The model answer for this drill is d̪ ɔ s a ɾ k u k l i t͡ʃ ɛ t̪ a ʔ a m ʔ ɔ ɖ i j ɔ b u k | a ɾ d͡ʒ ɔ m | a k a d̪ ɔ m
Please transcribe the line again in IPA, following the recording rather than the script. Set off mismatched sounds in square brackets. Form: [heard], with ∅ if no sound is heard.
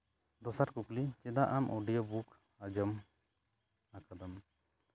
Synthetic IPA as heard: d̪ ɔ s a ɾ k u k l i t͡ʃ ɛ [d̪] a ʔ a m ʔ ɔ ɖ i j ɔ b u k | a [∅] d͡ʒ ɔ m | a k a d̪ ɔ m